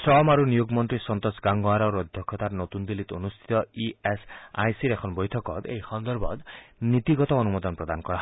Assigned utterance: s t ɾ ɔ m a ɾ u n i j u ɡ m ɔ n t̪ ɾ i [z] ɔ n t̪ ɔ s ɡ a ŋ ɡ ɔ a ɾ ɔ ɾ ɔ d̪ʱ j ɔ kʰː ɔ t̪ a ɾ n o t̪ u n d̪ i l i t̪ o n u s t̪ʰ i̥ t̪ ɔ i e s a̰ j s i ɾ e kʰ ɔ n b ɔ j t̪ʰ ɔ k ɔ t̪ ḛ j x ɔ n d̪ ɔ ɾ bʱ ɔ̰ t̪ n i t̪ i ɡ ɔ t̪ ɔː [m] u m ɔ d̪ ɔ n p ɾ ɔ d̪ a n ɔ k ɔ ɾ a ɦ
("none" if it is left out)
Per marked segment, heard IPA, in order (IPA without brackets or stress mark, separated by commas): s, n